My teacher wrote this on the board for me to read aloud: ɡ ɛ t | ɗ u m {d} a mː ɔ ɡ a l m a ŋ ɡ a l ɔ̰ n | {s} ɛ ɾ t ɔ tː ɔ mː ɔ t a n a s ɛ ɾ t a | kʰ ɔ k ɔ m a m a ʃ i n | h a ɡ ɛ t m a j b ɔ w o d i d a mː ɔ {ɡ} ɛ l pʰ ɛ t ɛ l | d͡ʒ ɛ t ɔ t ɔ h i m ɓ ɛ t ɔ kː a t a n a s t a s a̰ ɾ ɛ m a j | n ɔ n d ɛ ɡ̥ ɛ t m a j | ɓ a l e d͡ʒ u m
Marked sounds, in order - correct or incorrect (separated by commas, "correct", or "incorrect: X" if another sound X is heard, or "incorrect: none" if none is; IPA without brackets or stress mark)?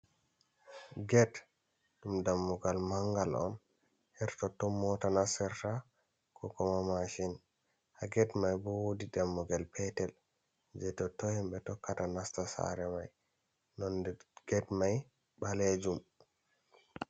correct, incorrect: h, correct